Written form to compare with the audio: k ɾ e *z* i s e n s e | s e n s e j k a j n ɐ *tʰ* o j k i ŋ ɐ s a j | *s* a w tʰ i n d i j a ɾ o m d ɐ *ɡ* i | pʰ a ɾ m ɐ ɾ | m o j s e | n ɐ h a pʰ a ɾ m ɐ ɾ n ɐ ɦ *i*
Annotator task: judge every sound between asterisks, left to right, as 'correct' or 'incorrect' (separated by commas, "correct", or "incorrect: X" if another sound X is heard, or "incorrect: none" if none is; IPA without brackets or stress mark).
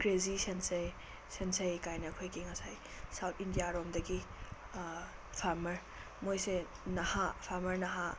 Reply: correct, incorrect: kʰ, correct, correct, incorrect: a